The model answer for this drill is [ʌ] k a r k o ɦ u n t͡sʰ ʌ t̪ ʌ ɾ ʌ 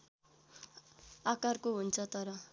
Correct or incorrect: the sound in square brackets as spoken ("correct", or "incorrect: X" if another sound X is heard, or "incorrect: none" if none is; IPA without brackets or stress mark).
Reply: incorrect: a